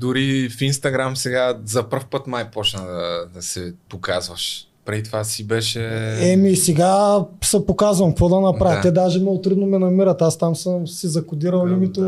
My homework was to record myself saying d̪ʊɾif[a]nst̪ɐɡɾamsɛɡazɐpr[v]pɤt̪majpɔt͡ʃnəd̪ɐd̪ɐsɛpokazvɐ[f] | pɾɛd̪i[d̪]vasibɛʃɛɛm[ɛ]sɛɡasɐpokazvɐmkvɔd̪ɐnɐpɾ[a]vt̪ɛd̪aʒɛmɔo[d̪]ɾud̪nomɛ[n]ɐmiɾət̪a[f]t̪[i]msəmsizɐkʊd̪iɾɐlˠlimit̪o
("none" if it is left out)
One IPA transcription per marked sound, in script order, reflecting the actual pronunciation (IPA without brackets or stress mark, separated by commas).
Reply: i, f, ʃ, t̪, i, a, t̪, n, s, a